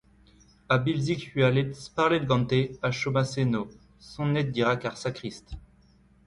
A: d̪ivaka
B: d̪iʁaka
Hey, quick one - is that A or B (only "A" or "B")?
B